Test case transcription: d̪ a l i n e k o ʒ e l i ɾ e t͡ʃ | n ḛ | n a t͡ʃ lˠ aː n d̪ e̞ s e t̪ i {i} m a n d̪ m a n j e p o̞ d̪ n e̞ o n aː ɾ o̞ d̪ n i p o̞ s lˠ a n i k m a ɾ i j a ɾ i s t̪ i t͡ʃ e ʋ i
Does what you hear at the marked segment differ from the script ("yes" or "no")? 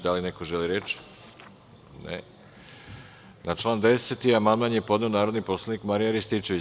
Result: yes